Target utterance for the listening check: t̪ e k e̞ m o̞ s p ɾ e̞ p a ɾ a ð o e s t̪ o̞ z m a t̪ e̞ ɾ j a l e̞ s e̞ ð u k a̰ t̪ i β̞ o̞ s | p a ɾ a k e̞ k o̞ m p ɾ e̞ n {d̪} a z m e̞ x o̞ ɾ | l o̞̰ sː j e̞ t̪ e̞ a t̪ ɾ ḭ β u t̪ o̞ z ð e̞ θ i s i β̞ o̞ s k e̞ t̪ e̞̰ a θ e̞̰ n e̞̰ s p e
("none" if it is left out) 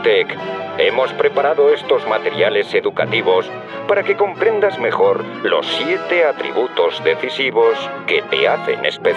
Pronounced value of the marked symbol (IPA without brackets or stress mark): d̪